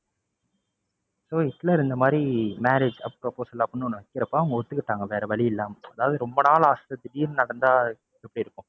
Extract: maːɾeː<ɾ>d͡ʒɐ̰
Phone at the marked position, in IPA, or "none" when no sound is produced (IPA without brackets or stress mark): none